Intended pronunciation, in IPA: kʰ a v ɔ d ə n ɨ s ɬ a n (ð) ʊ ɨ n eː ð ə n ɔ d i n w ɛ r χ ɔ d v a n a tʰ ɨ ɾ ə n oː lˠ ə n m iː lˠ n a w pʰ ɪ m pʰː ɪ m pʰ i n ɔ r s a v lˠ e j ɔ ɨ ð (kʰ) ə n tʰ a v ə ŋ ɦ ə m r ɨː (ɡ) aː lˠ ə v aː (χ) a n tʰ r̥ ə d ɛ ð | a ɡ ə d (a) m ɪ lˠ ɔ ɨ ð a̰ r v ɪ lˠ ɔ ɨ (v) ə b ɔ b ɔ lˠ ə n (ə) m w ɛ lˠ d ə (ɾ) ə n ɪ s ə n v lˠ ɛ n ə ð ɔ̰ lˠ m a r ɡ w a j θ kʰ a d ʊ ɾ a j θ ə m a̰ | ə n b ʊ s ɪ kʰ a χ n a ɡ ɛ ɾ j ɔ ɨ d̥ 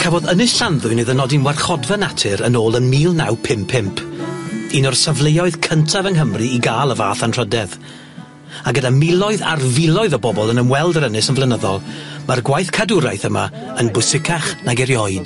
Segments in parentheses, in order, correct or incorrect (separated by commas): correct, correct, correct, incorrect, correct, incorrect, correct, correct